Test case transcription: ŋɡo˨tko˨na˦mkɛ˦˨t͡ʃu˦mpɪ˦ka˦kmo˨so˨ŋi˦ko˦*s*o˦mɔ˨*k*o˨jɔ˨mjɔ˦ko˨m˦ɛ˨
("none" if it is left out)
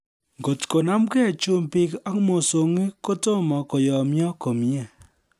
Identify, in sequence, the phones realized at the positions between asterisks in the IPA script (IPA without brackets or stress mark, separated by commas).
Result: t, k